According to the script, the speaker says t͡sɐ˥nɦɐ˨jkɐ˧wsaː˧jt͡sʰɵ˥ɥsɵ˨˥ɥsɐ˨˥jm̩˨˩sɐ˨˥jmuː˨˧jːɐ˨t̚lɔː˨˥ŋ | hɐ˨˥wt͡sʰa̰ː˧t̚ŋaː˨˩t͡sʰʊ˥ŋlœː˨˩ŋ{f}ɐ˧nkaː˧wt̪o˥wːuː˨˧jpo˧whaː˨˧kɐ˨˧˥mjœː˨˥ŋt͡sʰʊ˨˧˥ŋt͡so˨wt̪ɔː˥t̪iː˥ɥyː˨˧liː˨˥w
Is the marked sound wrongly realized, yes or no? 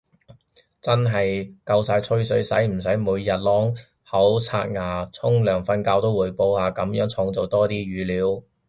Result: no